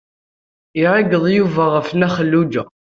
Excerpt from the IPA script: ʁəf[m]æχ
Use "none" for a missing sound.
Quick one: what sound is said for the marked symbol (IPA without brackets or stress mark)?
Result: n